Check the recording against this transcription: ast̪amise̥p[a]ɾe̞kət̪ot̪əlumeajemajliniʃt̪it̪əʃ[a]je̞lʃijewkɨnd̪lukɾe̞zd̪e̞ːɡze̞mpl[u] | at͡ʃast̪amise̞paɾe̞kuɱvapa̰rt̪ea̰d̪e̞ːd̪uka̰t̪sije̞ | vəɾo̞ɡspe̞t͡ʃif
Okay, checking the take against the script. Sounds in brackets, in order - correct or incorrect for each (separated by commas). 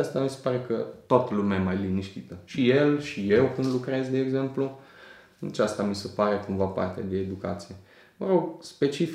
correct, incorrect, correct